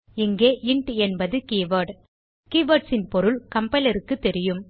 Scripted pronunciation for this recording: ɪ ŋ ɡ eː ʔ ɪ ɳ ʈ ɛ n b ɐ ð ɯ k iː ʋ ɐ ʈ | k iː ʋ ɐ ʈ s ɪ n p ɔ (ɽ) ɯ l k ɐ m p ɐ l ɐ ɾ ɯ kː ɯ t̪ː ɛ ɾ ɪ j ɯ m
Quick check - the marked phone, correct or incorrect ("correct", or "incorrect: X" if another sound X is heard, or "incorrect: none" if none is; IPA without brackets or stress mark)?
incorrect: ɾ